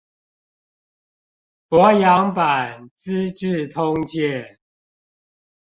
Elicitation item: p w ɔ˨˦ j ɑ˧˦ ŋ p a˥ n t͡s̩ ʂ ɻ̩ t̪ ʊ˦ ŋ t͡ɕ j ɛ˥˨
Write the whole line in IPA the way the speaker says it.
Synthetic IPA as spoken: p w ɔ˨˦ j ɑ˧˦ ŋ p a˨˩ n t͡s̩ ʈ͡ʂ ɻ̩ t̪ʰ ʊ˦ ŋ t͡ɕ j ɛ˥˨